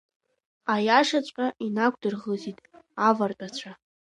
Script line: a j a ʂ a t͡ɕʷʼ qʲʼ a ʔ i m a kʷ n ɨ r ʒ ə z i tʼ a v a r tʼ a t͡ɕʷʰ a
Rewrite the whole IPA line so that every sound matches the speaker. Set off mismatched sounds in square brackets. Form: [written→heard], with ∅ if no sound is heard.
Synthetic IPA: a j a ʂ a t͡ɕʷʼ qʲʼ a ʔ i [m→n] a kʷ [n→d] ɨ r [ʒ→ʁ] ə z i tʼ a v a r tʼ a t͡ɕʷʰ a